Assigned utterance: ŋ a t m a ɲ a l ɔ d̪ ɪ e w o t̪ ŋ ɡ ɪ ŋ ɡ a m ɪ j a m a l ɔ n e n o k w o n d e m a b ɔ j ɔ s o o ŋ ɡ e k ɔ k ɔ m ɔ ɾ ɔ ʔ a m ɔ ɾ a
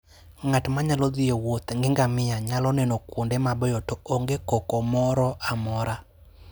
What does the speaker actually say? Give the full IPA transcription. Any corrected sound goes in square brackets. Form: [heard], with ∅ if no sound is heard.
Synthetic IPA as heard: ŋ a t m a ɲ a l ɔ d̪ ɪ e w o t̪ ŋ ɡ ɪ ŋ ɡ a m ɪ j a [ɲ] a l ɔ n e n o k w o n d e m a b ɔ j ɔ [t] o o ŋ ɡ e k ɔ k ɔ m ɔ ɾ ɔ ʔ a m ɔ ɾ a